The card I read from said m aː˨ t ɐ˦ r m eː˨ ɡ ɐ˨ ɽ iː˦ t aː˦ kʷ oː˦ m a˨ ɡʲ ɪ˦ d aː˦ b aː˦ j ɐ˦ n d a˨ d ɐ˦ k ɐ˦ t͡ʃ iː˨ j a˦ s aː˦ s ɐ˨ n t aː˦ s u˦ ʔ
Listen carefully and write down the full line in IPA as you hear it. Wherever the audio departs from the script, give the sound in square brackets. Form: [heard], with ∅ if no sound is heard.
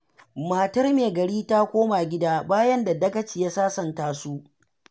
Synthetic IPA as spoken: m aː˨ t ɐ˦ r m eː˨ ɡ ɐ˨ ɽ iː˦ t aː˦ kʷ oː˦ m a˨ ɡʲ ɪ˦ d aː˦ b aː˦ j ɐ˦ n d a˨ d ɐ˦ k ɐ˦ t͡ʃ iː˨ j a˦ s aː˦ s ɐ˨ n t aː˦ s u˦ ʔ